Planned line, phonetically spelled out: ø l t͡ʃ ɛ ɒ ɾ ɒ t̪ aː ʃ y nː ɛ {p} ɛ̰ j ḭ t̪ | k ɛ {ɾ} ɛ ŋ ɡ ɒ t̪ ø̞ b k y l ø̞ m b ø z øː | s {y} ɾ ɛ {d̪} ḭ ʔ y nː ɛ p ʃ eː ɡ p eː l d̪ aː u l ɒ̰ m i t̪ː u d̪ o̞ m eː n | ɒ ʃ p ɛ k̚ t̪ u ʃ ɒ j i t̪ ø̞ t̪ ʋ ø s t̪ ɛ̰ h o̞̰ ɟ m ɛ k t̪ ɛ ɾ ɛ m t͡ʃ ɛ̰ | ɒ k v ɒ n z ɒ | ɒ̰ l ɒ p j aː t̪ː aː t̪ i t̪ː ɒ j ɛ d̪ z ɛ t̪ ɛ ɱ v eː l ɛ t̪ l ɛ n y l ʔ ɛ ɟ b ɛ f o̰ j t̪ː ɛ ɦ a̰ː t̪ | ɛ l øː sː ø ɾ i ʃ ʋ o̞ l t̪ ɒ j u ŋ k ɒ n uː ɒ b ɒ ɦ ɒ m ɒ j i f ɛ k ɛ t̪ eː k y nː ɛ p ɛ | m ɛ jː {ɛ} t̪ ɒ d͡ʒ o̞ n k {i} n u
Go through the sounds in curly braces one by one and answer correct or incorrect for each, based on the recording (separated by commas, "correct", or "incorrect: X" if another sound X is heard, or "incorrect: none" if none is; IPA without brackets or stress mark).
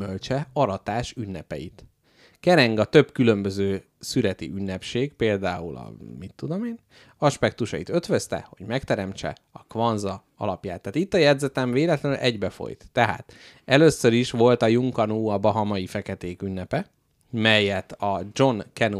correct, correct, correct, incorrect: t̪, correct, incorrect: ɛ